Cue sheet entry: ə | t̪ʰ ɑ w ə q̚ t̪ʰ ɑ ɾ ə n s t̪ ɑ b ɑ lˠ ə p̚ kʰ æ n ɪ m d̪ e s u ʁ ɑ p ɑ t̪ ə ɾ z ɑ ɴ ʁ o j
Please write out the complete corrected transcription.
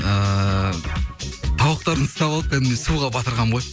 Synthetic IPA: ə | t̪ʰ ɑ w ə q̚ t̪ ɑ ɾ ə n s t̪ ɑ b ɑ lˠ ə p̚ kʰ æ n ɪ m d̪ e s u ʁ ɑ b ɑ t̪ ə ɾ ʁ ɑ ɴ ʁ o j